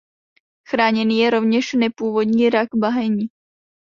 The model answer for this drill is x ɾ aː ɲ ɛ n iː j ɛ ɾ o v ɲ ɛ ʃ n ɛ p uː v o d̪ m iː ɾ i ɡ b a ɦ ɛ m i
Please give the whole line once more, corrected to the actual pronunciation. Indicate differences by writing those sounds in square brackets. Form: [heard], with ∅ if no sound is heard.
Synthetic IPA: x ɾ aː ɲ ɛ n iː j ɛ ɾ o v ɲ ɛ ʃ n ɛ p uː v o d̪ [ɲ] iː ɾ [a] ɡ b a ɦ ɛ [ɲ] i